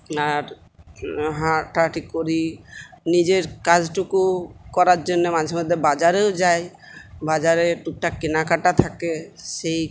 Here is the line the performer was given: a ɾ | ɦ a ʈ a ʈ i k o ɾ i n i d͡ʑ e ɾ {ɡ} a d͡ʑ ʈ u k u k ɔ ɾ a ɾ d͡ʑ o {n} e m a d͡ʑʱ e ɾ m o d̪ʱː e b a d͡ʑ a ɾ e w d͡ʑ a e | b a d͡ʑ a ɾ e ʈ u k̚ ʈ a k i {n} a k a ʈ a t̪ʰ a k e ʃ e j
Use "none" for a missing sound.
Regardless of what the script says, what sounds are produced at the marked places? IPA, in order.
k, nː, n

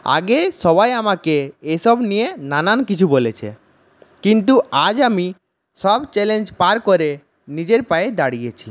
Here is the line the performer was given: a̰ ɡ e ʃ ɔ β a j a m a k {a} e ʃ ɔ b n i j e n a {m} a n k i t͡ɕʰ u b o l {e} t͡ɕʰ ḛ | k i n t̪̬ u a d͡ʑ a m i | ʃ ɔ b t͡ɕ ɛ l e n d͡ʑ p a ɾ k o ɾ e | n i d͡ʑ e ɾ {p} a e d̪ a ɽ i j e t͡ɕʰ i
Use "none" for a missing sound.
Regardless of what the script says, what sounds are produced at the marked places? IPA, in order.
e, n, e, p

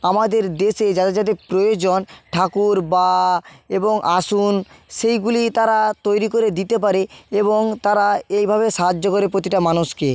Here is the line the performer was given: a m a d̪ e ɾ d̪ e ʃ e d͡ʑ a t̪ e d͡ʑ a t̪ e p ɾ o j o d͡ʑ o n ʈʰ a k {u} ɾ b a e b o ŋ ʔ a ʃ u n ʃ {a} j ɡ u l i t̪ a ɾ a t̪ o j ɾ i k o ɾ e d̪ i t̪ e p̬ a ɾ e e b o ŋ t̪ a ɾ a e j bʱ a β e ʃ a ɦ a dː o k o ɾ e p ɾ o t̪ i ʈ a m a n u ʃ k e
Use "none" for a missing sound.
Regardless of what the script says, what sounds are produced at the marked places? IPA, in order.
u, e

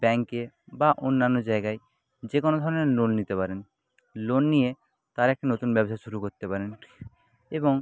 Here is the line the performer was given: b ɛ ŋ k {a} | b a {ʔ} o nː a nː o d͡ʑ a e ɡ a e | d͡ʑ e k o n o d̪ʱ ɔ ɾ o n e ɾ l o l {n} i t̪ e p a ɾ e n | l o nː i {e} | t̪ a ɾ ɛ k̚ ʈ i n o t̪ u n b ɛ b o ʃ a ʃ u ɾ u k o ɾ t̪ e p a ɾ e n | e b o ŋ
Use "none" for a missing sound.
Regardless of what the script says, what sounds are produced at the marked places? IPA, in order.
e, ʔ, n, e

